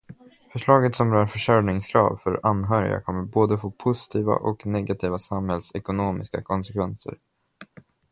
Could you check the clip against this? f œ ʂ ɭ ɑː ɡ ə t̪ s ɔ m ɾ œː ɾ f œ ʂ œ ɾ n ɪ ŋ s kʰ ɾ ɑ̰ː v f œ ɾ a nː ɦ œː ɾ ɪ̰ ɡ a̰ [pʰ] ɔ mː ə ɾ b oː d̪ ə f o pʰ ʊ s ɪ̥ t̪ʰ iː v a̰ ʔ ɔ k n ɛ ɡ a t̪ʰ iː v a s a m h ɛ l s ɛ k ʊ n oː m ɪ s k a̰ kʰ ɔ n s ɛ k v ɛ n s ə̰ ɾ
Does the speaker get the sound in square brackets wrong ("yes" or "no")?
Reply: yes